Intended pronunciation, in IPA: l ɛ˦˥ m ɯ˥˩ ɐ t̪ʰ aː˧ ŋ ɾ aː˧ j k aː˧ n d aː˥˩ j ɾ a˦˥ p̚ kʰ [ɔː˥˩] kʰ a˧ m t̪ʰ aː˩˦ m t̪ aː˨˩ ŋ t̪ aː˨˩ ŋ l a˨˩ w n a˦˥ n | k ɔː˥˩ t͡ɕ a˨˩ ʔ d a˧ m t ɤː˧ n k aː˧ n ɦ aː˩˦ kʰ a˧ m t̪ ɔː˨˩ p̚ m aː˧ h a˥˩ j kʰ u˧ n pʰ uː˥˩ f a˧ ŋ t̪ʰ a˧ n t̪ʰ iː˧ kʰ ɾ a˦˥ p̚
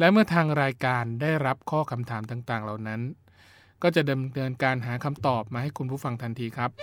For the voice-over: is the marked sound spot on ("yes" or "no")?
yes